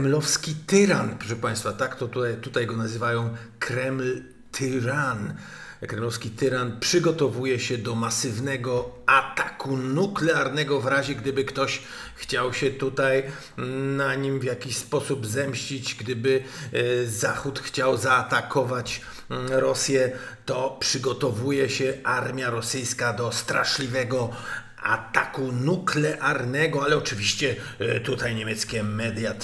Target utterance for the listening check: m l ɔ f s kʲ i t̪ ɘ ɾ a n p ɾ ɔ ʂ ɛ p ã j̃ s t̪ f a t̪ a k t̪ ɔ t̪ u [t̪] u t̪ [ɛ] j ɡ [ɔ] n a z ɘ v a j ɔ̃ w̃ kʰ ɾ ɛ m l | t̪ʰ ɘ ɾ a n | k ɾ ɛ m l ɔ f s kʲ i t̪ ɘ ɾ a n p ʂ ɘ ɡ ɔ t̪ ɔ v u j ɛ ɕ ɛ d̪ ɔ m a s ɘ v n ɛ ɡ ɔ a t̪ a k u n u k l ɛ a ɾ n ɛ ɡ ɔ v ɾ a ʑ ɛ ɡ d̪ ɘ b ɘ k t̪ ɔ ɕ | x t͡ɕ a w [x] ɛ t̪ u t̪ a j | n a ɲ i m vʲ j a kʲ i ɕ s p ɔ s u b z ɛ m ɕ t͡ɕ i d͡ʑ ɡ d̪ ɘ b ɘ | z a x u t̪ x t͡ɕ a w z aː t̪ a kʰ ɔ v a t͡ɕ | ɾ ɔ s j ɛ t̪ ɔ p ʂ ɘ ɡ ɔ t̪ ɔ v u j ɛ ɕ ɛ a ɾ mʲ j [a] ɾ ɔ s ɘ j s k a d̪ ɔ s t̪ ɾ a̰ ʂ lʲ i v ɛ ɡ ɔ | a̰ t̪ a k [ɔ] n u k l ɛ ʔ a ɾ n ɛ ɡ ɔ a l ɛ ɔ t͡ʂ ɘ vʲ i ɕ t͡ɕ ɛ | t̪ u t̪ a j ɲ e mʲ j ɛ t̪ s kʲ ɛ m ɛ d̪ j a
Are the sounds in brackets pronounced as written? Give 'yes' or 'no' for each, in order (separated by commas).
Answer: yes, no, yes, no, yes, no